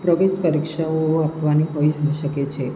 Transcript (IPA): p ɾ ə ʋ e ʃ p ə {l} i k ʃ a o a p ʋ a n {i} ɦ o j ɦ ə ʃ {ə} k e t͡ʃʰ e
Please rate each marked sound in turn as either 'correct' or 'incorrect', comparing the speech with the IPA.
incorrect: ɾ, correct, correct

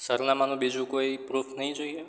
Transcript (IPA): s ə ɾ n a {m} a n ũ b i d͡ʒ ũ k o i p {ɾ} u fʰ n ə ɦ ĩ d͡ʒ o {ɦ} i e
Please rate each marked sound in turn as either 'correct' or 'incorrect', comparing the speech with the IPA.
correct, correct, incorrect: none

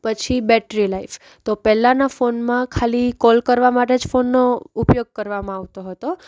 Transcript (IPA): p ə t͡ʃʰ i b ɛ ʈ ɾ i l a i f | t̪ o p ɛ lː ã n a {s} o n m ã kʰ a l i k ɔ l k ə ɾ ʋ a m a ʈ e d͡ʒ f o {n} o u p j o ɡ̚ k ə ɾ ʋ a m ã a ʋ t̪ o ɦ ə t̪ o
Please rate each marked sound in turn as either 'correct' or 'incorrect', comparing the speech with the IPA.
incorrect: f, incorrect: nː

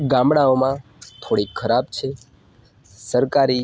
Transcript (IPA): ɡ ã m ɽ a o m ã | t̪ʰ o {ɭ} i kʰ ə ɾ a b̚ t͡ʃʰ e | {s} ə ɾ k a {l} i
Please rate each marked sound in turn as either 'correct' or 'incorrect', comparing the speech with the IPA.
incorrect: ɽ, correct, incorrect: ɾ

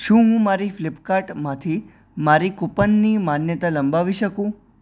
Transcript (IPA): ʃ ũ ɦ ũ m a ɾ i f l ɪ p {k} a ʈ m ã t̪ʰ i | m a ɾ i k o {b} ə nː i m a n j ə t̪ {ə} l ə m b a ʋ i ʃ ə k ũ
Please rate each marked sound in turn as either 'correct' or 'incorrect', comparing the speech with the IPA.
correct, incorrect: p, incorrect: a

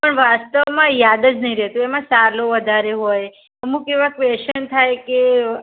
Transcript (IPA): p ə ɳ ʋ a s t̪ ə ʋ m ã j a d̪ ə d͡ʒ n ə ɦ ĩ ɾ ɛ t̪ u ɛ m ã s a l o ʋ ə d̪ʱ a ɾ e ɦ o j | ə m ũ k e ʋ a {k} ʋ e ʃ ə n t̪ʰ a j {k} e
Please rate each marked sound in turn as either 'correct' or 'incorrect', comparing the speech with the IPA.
correct, correct

